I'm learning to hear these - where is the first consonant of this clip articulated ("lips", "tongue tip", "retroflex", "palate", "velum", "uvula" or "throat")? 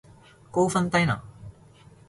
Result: velum